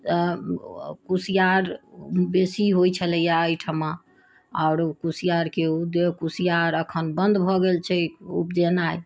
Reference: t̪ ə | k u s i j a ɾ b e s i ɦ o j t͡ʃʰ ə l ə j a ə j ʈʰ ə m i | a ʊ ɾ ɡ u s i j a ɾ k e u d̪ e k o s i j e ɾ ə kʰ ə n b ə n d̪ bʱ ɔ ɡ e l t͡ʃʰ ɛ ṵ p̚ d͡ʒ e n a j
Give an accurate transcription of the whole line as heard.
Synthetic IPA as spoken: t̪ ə | k u s i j a ɾ b e s i ɦ o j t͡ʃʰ ə l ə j a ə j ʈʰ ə m a | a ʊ ɾ k u s i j a ɾ k e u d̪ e k u s i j a ɾ ə kʰ ə n b ə n d̪ bʱ ɔ ɡ e l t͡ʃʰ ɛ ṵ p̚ d͡ʒ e n a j